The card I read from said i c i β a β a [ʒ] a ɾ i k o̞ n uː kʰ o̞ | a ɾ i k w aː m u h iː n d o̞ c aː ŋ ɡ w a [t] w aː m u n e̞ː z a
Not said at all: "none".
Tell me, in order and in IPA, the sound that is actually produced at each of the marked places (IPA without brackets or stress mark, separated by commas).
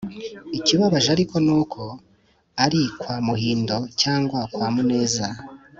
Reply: ʒ, k